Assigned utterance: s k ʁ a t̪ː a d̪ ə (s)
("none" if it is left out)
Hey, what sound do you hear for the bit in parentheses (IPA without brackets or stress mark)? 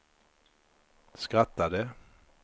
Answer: none